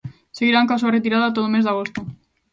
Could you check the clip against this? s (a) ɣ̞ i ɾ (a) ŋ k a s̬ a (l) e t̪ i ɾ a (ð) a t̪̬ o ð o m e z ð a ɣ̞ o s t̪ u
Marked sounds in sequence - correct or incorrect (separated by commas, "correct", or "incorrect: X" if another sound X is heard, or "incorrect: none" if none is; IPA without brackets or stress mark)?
incorrect: e, correct, incorrect: r, correct